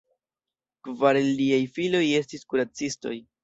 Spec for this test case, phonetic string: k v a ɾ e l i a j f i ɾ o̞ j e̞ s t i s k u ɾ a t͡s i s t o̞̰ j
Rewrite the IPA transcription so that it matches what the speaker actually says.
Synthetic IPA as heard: k v a ɾ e l i a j f i l o̞ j e̞ s t i s k u ɾ a t͡s i s t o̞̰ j